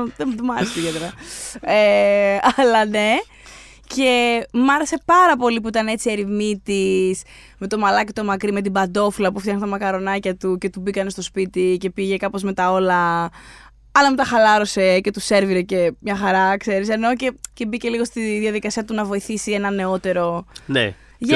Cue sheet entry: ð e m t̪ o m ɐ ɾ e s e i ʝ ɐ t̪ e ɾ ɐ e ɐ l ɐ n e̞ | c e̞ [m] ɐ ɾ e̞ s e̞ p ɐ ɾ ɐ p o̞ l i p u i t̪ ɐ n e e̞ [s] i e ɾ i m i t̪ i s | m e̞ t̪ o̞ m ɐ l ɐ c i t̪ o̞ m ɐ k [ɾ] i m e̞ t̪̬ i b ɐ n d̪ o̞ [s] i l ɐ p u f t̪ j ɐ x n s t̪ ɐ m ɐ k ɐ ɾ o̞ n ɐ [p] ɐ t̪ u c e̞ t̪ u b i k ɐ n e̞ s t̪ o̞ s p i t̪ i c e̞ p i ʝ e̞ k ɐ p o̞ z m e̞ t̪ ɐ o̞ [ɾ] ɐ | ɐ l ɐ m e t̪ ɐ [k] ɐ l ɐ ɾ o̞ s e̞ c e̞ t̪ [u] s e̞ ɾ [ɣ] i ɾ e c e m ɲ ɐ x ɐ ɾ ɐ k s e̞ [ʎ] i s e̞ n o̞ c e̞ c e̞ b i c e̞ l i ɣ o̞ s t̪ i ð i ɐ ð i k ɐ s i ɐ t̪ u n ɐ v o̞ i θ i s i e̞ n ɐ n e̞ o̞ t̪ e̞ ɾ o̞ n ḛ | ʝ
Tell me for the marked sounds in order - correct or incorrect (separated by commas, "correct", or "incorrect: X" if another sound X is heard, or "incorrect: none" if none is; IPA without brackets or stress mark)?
correct, incorrect: t͡s, correct, incorrect: f, incorrect: c, incorrect: l, incorrect: x, correct, incorrect: v, incorrect: ɾ